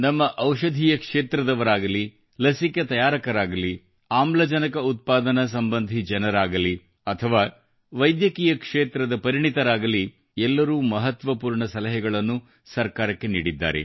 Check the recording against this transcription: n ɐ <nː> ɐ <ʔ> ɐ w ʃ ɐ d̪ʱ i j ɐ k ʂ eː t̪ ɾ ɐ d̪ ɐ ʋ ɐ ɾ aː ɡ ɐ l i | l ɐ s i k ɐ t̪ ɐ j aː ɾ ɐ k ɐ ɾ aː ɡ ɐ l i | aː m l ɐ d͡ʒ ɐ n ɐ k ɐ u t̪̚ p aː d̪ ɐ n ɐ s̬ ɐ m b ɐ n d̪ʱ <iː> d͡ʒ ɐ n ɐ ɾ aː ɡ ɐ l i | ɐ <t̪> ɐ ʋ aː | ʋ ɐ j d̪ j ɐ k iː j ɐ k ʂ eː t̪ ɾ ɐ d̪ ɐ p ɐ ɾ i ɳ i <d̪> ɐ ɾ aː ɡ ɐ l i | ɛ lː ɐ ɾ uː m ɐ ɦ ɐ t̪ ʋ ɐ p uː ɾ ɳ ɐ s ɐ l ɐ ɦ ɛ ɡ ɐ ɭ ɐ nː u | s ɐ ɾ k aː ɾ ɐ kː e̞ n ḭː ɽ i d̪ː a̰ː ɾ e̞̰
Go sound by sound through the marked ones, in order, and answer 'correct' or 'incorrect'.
incorrect: mː, correct, incorrect: i, incorrect: t̪ʰ, incorrect: t̪

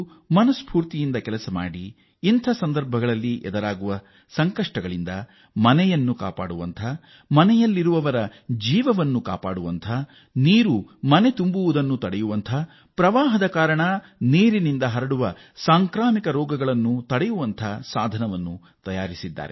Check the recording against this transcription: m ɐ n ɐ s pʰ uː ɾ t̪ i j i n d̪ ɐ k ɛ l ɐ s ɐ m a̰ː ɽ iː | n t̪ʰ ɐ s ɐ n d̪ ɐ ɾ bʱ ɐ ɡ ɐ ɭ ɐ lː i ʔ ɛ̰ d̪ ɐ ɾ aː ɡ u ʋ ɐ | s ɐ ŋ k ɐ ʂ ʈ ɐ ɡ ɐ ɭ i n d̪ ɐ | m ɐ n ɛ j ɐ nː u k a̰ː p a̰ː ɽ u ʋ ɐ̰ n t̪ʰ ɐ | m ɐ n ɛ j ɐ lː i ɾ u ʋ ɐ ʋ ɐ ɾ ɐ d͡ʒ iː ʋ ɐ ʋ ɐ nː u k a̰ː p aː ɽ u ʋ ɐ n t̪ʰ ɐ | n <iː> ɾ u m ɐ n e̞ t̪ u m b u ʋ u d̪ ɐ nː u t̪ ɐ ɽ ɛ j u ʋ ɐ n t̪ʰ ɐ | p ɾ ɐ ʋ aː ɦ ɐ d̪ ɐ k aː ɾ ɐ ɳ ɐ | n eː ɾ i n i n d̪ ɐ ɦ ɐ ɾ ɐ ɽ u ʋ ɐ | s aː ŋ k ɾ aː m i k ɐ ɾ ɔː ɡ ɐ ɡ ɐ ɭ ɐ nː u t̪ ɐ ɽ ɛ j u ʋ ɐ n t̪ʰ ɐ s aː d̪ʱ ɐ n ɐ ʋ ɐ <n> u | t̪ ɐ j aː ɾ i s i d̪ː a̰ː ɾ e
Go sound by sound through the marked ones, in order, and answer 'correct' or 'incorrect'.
correct, incorrect: nː

